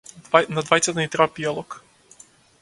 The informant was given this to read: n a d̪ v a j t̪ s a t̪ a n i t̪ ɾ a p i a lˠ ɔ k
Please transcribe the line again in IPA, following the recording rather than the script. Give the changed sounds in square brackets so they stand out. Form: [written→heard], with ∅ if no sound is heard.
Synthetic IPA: n a d̪ v a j t̪ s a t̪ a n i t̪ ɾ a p i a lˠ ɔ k